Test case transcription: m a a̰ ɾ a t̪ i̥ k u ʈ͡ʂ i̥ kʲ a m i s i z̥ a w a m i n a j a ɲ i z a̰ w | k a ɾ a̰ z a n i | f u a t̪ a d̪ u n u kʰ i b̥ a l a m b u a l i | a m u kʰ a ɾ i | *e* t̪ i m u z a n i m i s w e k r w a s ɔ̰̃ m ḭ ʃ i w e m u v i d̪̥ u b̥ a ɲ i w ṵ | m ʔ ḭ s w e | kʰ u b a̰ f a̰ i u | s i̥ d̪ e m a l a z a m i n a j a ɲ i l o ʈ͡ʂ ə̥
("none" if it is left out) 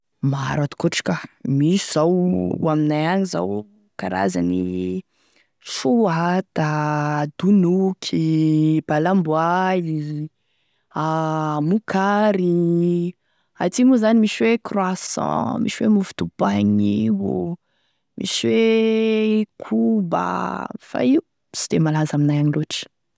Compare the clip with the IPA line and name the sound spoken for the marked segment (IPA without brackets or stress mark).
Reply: a